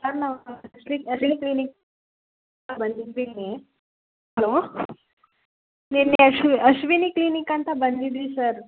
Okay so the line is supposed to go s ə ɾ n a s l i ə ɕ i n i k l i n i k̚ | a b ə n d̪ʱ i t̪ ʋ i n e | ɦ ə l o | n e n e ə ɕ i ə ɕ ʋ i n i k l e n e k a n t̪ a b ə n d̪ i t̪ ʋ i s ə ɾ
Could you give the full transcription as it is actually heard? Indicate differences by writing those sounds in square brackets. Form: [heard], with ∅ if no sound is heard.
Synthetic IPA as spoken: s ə ɾ n a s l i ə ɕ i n i k l i n i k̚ | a b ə n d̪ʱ i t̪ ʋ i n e | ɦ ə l o | n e n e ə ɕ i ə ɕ ʋ i n i k l [i] n [i] k a n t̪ a b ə n d̪ i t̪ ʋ i s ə ɾ